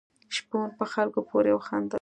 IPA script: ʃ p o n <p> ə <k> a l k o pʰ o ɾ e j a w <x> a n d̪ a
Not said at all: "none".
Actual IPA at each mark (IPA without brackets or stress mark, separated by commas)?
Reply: p, x, x